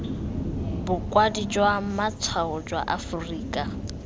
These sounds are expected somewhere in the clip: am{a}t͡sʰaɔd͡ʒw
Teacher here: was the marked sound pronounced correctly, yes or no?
yes